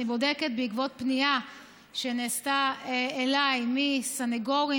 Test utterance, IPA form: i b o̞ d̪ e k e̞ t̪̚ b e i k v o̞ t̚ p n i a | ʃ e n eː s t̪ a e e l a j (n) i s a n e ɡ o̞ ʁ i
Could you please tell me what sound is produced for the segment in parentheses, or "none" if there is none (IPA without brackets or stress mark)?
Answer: m